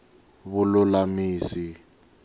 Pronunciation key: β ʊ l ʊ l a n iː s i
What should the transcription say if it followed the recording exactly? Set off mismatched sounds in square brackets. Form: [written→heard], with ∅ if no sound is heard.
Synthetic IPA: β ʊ l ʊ l a [n→m] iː s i